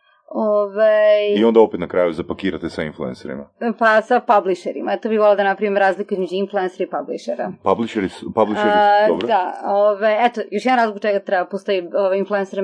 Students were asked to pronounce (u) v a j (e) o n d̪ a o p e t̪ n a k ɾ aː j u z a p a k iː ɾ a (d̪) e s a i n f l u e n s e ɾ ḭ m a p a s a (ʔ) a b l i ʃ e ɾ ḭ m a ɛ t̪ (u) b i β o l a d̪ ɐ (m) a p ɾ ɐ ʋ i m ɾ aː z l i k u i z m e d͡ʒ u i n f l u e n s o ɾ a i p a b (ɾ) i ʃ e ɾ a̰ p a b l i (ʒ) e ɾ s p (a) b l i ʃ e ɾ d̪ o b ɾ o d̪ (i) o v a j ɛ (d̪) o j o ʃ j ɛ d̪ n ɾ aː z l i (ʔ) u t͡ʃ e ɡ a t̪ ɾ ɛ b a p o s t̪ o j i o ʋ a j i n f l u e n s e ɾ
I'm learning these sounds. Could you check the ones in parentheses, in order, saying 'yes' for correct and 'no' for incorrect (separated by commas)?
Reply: no, no, no, no, no, no, no, no, yes, no, no, no